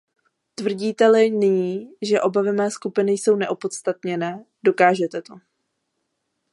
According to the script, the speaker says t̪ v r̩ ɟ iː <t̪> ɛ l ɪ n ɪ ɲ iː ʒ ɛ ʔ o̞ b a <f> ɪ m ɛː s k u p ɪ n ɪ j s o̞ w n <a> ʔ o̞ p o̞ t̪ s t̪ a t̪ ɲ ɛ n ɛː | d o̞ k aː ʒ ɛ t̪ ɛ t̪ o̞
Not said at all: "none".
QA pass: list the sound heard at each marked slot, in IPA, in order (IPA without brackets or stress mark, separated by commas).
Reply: t̪, v, ɛ